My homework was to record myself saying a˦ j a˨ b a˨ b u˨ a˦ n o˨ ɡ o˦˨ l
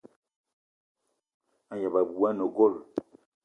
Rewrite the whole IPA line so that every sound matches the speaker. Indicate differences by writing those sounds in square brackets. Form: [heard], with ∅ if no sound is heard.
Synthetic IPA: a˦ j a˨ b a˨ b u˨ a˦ n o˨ ɡ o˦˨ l